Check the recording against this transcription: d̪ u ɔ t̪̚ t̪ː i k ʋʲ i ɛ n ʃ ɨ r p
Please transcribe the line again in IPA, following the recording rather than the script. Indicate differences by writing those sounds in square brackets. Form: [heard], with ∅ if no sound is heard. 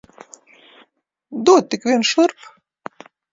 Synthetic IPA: d̪ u ɔ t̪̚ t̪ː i k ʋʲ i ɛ n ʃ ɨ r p